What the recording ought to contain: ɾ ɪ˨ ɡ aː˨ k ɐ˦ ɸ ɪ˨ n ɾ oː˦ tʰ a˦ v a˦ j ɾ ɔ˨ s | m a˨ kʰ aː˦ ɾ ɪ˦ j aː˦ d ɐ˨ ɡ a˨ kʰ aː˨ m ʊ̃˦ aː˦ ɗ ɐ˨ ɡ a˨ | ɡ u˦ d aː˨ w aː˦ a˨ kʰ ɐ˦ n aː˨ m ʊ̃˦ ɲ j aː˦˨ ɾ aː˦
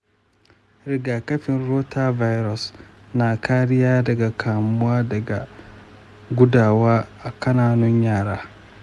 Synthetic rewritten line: ɾ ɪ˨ ɡ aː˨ k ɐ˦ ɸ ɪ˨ n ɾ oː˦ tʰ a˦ v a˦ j ɾ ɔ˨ s | n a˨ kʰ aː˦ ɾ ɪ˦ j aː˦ d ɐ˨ ɡ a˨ kʰ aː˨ m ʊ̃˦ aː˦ d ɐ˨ ɡ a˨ | ɡ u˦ d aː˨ w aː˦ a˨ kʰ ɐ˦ n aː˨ n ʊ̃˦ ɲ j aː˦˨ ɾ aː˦

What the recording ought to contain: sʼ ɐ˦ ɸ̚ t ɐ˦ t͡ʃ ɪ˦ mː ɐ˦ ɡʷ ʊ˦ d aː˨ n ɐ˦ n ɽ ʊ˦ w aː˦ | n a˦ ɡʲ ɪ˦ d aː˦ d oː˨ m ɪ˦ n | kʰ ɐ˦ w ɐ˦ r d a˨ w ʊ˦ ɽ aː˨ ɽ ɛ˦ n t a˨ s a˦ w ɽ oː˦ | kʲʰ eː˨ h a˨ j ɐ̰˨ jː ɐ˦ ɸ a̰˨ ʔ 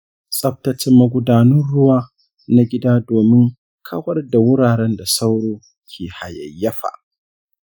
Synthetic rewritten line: sʼ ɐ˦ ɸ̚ t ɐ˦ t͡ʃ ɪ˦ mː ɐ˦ ɡʷ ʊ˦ d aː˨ n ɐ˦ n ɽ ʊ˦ w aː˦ | n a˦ ɡʲ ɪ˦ d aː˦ d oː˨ m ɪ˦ ŋ | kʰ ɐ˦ w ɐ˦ r d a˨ w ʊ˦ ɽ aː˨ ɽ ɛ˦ n d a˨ s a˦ w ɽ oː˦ | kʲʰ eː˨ h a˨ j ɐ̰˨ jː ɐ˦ ɸ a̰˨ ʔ

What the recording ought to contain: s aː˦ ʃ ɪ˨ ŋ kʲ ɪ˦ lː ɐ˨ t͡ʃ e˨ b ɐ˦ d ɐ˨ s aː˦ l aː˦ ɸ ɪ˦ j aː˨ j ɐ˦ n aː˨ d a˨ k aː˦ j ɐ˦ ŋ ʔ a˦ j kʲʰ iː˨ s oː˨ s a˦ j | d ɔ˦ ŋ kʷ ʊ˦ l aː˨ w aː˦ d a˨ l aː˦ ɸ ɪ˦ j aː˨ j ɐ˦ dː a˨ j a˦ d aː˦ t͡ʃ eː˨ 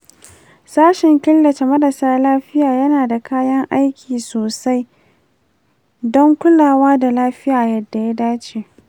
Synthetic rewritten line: s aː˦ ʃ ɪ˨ ŋ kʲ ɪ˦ lː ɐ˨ t͡ʃ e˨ m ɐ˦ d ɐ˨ s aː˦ l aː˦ ɸ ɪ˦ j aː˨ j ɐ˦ n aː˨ d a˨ k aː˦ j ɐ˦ ŋ ʔ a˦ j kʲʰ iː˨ s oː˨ s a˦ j | d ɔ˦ ŋ kʷ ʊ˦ l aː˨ w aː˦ d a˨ l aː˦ ɸ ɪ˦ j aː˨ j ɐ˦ dː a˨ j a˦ d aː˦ t͡ʃ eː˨

